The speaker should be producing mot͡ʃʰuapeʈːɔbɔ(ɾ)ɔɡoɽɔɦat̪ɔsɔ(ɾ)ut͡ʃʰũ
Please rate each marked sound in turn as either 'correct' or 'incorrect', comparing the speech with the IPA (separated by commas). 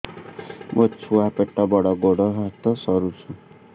incorrect, correct